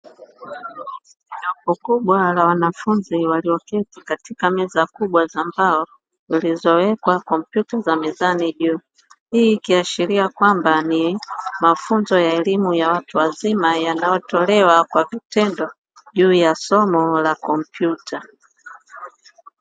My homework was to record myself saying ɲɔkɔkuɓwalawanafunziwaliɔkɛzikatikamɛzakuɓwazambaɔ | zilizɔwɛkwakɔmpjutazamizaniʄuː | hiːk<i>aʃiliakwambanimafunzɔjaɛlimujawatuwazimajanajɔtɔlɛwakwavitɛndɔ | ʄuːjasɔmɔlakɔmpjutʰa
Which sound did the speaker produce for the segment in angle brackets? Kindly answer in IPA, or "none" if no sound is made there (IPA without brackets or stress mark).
i